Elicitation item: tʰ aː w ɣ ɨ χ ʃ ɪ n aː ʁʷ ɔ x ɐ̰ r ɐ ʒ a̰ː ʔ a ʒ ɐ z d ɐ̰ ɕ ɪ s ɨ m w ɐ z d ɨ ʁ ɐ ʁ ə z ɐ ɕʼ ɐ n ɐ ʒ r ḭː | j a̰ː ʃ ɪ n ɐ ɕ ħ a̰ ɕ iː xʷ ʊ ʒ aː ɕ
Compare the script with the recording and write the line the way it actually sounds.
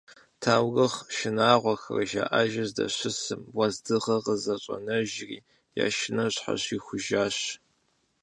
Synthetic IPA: tʰ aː w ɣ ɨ χ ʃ ɪ n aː ʁʷ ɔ x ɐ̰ r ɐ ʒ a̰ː ʔ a ʒ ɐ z d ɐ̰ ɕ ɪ s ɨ m w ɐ z d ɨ ʁ ɐ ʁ ə z ɐ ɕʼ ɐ n ɐ ʒ r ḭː | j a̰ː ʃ ɪ n ɐ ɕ ħ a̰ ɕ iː xʷ ʊ ʒ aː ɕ

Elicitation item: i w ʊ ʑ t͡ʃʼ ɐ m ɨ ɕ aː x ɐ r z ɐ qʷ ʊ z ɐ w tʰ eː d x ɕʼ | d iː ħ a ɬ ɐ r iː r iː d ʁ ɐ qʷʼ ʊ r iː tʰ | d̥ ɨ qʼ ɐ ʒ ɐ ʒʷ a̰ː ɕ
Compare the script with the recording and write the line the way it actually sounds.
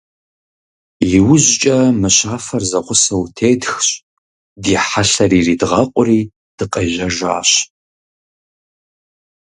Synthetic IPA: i w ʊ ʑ t͡ʃʼ ɐ m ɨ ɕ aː f ɐ r z ɐ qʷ ʊ s ɐ w tʰ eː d x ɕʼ | d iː ħ a ɬ ɐ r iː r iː d ʁ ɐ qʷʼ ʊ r iː | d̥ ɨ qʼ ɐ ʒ ɐ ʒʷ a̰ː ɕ

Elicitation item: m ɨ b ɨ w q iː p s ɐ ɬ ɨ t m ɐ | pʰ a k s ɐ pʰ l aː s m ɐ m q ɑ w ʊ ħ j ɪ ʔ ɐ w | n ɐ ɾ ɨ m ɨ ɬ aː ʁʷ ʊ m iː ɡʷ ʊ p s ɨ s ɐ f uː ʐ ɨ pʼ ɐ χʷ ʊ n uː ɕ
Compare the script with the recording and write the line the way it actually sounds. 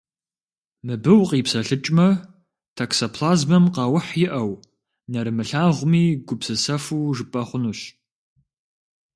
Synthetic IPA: m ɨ b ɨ w q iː p s ɐ ɬ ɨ t͡ʃʼ m ɐ | tʰ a k s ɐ pʰ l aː z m ɐ m q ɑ w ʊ ħ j ɪ ʔ ɐ w | n ɐ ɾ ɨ m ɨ ɬ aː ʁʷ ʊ m iː ɡʷ ʊ p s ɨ s ɐ f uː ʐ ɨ pʼ ɐ χʷ ʊ n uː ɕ

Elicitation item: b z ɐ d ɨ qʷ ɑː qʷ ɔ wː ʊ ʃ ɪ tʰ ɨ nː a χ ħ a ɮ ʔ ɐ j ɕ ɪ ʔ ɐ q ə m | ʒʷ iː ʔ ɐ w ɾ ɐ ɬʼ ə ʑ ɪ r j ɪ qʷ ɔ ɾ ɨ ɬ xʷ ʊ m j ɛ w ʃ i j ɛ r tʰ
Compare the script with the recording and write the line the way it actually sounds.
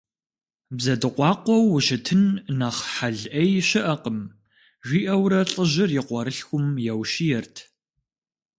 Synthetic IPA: b z ɐ d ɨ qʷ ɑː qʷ ɔ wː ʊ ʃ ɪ tʰ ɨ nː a χ ħ a ɮ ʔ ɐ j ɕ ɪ ʔ ɐ q ə m | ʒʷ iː ʔ ɐ w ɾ ɐ ɬʼ ə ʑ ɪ r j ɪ qʷ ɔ ɾ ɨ ɬ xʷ ʊ m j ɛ w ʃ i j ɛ r tʰ

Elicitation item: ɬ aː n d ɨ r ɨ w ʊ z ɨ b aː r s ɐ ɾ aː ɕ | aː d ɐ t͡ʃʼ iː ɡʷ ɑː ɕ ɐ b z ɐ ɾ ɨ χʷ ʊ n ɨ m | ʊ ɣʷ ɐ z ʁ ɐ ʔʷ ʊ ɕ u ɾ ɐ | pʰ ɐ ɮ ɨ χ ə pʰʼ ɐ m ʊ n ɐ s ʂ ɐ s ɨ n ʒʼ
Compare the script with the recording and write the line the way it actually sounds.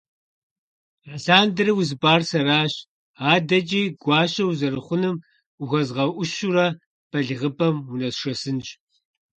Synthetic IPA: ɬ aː n d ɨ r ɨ w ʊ z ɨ b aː r s ɐ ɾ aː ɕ | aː d ɐ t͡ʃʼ iː ɡʷ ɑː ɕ ɐ w z ɐ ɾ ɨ χʷ ʊ n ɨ m | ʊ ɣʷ ɐ z ʁ ɐ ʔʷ ʊ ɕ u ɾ ɐ | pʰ ɐ ɮ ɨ ʁ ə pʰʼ ɐ m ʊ n ɐ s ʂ ɐ s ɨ n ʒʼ

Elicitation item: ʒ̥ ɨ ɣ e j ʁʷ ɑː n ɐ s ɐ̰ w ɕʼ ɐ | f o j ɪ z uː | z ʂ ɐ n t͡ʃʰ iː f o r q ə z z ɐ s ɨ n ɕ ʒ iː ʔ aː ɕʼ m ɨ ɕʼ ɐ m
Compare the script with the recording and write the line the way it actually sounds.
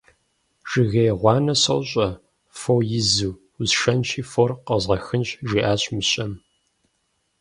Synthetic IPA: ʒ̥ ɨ ɣ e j ʁʷ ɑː n ɐ s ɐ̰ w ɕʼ ɐ | f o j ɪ z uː | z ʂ ɐ n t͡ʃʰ iː f o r q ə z ʁ ɐ x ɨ n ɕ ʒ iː ʔ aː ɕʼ m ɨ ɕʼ ɐ m

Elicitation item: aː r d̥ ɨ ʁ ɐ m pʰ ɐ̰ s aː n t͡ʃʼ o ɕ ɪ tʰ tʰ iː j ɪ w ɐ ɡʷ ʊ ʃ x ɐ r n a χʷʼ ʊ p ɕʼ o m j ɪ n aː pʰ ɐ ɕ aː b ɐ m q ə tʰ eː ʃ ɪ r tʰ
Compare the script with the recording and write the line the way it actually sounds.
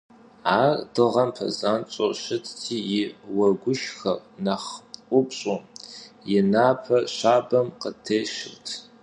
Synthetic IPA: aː r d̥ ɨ ʁ ɐ m pʰ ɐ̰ z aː n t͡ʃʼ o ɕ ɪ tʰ tʰ iː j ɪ w ɐ ɡʷ ʊ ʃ x ɐ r n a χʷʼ ʊ p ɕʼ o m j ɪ n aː pʰ ɐ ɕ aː b ɐ m q ə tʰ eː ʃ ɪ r tʰ

